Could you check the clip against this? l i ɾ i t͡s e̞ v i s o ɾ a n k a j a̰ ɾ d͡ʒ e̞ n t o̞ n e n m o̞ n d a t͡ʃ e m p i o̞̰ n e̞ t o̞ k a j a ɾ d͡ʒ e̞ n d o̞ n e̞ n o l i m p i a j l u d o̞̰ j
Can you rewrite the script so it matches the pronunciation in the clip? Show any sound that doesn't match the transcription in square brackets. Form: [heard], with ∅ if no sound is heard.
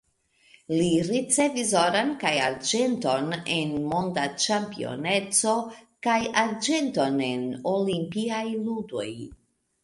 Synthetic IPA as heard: l i ɾ i t͡s e̞ v i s o ɾ a n k a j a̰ ɾ d͡ʒ e̞ n t o̞ n e n m o̞ n d a t͡ʃ [a] m p i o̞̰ n e̞ [t͡s] o̞ k a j a ɾ d͡ʒ e̞ n [t] o̞ n e̞ n o l i m p i a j l u d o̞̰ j